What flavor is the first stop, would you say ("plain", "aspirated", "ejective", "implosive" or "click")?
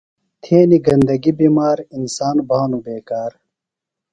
aspirated